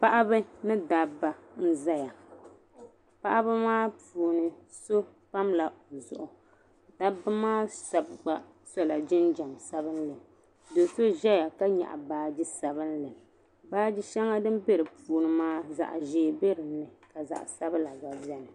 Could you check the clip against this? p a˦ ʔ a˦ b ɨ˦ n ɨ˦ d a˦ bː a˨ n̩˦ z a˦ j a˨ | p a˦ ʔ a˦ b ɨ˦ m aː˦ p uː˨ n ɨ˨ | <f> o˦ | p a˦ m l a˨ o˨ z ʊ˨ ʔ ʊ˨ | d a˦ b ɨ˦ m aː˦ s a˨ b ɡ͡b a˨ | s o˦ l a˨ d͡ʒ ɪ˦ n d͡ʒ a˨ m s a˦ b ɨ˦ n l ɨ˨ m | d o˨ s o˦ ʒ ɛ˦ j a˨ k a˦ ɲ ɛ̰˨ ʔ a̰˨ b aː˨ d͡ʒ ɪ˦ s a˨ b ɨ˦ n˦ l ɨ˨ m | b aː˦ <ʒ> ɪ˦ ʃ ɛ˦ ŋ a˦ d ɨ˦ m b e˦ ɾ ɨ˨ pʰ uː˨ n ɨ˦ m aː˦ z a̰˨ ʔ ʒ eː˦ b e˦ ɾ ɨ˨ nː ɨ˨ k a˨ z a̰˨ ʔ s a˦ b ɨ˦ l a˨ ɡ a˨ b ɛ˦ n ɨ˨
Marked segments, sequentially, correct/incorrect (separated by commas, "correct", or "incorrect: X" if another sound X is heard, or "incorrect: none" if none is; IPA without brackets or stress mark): incorrect: s, incorrect: d͡ʒ